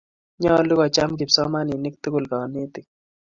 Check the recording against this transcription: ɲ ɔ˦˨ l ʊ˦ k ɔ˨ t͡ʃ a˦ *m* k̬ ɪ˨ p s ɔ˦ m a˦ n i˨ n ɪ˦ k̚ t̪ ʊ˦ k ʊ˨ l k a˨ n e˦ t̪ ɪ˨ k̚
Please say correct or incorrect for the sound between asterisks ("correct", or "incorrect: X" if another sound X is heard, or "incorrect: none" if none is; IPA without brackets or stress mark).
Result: correct